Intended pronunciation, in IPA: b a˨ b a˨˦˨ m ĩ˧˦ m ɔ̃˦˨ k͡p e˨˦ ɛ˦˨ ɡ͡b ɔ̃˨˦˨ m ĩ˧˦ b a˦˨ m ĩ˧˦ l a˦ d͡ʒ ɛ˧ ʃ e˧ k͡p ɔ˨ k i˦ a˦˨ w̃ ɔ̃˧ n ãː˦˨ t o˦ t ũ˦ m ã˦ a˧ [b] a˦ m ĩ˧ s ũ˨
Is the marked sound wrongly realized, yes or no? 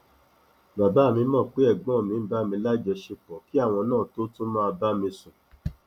no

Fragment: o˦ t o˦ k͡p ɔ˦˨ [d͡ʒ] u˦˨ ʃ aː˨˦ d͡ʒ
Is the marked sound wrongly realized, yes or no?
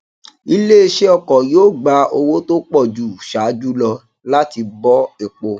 no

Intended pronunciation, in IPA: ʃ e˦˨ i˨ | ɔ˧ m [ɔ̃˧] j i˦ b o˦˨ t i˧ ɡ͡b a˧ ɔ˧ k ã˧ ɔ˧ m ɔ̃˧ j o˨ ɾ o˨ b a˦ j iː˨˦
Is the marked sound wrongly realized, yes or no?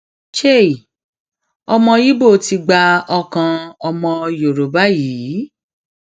no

